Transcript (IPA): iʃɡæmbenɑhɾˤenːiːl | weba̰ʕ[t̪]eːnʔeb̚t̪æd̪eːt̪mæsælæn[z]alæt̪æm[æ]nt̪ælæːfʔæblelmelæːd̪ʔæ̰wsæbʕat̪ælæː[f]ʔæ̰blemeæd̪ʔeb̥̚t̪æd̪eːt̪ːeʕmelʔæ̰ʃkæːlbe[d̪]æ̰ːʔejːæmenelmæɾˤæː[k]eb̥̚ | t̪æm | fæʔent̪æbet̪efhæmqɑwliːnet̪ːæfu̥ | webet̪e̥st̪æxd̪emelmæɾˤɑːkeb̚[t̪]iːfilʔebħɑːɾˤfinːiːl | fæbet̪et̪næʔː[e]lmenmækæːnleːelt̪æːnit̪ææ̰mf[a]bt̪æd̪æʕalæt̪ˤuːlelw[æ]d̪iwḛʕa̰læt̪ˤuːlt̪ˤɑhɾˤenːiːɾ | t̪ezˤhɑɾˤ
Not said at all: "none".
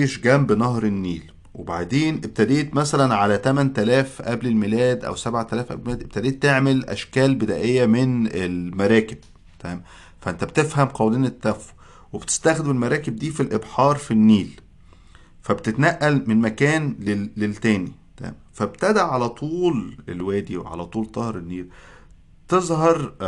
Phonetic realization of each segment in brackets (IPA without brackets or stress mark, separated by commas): d̪, ʕ, æ, f, d̪, k, d̪, æ, æ, æː